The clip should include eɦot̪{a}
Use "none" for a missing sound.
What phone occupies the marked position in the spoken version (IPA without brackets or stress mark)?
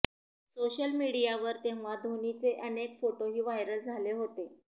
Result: e